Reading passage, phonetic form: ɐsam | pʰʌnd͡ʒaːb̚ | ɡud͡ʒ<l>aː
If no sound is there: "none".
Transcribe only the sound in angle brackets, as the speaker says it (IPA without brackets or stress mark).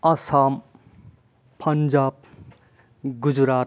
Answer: ɾ